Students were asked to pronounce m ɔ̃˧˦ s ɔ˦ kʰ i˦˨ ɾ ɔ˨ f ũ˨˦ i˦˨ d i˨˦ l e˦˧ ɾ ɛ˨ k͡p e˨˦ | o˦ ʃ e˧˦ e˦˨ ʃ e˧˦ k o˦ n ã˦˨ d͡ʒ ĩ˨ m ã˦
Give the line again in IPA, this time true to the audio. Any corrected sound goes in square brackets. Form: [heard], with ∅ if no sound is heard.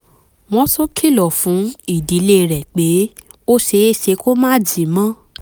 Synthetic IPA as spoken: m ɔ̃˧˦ s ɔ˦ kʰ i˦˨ [l] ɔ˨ f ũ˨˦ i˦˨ d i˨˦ l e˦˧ ɾ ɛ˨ k͡p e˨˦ | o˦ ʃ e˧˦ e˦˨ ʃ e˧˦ k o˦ [m] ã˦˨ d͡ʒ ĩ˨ m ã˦